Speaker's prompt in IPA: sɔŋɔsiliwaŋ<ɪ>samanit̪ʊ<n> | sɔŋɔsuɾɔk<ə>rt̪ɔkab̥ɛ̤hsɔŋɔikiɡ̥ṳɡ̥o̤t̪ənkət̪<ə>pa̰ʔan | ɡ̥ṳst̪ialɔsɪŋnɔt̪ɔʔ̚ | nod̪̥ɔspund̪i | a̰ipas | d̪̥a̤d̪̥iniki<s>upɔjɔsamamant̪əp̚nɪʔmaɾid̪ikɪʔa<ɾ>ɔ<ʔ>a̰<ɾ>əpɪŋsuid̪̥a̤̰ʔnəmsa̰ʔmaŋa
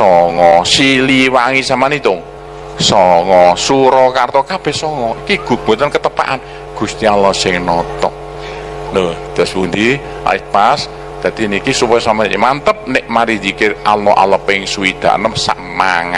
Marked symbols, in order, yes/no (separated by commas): no, no, no, yes, yes, no, yes, no